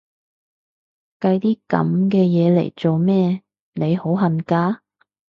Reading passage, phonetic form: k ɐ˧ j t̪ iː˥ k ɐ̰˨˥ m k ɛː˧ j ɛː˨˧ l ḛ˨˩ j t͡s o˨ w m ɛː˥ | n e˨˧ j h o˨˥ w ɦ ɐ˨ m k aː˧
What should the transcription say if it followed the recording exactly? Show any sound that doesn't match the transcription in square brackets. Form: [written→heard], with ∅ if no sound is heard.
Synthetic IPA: k ɐ˧ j t̪ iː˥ k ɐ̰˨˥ m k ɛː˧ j ɛː˨˧ l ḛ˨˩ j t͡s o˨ w m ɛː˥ | n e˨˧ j h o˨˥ w ɦ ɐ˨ [m→n] k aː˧